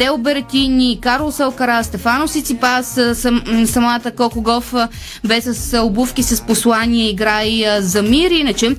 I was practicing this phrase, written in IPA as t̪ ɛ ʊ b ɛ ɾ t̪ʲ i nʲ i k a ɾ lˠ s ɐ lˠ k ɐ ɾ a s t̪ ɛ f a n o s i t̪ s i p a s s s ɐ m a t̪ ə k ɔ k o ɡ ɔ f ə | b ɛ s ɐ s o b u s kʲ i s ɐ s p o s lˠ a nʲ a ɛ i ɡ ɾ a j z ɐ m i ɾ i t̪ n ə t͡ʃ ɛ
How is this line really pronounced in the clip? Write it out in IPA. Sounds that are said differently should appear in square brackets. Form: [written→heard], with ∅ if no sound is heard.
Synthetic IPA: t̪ ɛ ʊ b ɛ ɾ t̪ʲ i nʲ i k a ɾ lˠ s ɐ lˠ k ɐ ɾ a s t̪ ɛ f a n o s i t̪ s i p a s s s ɐ m a t̪ ə k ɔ k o ɡ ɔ f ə | b ɛ s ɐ s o b u [s→f] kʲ i s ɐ s p o s lˠ a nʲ [a→i] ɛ i ɡ ɾ a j z ɐ m i ɾ i [t̪→∅] n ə t͡ʃ ɛ